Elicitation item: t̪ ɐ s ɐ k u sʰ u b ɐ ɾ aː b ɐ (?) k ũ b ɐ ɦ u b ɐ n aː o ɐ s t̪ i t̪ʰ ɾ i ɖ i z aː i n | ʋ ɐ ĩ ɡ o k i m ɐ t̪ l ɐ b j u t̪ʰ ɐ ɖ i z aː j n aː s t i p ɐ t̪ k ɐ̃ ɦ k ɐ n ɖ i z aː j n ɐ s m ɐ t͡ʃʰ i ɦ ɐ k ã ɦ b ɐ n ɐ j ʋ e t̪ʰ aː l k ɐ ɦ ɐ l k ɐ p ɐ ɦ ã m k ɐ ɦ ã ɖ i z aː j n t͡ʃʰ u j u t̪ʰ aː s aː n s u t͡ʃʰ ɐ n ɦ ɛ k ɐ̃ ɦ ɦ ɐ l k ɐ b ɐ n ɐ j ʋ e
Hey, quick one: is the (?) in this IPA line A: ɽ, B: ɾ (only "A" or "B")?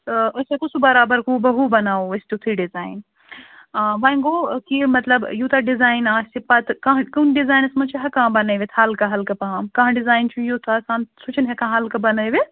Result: B